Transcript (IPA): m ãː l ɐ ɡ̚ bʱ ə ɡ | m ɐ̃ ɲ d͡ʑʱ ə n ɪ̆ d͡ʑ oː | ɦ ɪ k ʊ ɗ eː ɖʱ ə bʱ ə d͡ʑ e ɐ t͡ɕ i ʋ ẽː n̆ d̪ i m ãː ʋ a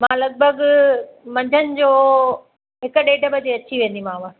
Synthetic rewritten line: m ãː l ɐ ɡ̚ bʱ ə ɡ | m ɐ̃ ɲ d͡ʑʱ ə n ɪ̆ d͡ʑ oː | ɦ ɪ k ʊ ɗ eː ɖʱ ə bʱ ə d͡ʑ e ɐ t͡ɕ i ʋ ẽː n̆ d̪ i m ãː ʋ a